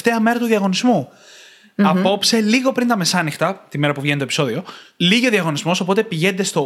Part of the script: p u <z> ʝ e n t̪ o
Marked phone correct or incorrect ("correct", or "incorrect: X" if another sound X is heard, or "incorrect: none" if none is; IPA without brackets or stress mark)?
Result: incorrect: v